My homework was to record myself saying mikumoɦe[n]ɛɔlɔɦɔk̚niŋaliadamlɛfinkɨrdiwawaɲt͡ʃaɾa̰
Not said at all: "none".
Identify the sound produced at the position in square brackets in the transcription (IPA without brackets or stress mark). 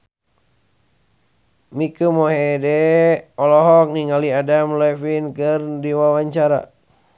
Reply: d